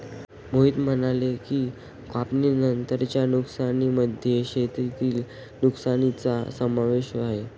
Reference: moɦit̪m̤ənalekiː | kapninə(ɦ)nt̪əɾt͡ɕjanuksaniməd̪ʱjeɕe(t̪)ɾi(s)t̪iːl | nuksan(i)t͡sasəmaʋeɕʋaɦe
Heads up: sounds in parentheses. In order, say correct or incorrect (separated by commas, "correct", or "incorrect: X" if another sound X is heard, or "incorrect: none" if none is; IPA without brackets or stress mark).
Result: incorrect: none, correct, incorrect: none, correct